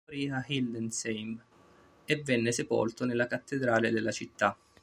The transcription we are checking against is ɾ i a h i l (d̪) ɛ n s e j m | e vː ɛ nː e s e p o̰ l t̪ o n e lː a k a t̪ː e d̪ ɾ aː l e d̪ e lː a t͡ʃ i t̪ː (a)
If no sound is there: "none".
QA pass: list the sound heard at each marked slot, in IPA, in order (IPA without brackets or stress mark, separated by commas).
d̪, a